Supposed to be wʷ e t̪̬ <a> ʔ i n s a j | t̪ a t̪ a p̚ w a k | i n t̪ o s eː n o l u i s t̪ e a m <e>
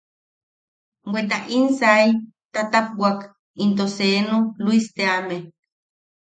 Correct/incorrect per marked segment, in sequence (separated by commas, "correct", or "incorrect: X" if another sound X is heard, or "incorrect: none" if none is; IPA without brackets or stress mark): correct, correct